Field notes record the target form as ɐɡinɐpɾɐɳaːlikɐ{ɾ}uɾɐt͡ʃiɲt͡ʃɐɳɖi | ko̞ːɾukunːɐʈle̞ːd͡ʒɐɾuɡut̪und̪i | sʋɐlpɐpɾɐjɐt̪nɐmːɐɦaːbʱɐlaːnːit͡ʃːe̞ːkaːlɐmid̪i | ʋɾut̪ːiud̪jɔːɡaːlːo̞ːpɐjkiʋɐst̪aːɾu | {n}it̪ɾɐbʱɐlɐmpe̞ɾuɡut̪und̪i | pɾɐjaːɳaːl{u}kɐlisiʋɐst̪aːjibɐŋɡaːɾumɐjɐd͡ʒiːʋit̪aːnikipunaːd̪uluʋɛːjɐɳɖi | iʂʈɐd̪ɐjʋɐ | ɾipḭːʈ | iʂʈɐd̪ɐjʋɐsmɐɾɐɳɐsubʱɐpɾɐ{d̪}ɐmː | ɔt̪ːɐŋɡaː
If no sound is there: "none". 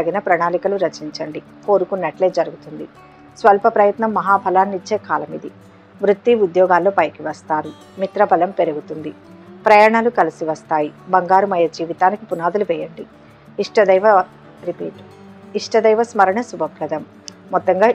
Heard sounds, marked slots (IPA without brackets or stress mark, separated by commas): l, m, u, d̪